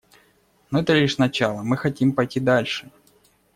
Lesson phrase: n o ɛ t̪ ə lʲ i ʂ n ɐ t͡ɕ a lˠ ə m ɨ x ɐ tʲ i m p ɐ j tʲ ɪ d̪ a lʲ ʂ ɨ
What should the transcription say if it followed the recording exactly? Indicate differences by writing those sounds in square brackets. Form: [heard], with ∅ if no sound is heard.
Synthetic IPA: n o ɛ t̪ ə lʲ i ʂ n ɐ t͡ɕ a lˠ ə m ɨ x ɐ tʲ i m p ɐ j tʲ [i] d̪ a lʲ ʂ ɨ